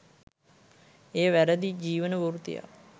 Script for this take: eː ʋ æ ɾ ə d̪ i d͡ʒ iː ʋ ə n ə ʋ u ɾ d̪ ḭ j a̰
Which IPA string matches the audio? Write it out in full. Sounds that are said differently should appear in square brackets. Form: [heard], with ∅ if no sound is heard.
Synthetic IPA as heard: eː ʋ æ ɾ ə d̪ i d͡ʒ iː ʋ ə n ə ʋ u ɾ [t̪] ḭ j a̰